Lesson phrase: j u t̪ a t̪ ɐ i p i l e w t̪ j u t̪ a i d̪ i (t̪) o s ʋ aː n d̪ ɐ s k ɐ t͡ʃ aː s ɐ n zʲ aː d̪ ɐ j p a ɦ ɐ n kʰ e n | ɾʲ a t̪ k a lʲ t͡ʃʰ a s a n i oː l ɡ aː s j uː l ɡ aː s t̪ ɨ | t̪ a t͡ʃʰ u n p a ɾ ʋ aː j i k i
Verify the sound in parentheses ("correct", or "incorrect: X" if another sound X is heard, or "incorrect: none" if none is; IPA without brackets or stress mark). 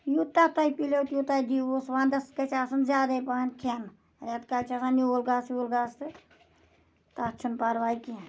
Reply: incorrect: none